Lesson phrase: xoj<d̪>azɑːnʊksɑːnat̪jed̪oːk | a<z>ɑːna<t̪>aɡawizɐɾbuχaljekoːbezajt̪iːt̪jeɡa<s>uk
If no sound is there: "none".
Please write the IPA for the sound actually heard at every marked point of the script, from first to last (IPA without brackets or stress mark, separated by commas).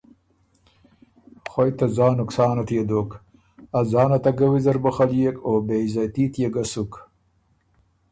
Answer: t̪, z, t̪, s